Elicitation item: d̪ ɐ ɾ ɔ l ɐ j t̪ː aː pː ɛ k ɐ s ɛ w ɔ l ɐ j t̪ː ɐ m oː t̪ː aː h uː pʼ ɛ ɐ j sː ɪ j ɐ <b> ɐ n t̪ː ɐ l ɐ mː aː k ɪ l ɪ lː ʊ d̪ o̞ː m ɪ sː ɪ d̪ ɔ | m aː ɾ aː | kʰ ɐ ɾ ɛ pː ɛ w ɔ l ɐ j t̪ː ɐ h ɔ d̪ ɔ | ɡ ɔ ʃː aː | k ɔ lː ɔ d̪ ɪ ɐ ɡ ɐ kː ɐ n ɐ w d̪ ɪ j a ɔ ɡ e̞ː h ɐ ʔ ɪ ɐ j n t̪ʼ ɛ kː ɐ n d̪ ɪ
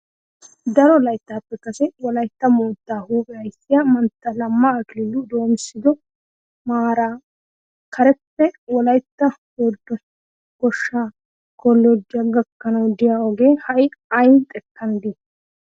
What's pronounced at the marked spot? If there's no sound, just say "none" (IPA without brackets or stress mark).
m